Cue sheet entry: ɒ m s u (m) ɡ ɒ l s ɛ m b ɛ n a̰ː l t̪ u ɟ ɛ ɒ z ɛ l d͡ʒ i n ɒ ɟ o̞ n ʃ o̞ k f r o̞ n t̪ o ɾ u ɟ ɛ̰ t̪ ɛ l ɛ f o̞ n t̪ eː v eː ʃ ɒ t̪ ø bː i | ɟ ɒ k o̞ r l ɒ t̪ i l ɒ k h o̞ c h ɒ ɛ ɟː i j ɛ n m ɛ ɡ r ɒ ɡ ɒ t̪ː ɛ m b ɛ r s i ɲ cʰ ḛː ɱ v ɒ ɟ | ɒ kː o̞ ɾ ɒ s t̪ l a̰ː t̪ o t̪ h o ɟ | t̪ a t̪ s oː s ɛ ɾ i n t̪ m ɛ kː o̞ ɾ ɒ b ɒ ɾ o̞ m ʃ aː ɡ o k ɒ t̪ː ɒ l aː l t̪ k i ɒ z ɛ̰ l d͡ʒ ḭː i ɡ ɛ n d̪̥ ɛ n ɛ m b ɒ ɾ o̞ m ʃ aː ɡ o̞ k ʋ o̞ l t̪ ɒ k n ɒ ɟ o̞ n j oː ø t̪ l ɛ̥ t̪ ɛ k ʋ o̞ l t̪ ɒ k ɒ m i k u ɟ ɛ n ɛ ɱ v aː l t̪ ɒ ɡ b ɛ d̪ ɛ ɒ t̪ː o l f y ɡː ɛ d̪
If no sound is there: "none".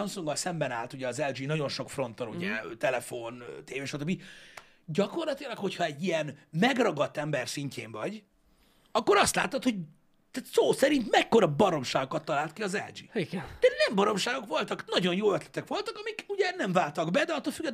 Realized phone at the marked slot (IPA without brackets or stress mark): ŋ